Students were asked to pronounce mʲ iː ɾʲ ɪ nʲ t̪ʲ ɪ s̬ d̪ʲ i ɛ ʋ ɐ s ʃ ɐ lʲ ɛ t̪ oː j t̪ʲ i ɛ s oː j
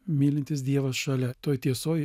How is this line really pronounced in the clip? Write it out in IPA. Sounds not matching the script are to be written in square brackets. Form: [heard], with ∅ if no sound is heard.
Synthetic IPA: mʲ iː [lʲ] ɪ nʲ t̪ʲ ɪ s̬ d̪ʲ i ɛ ʋ ɐ s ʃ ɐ lʲ ɛ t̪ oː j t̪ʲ i ɛ s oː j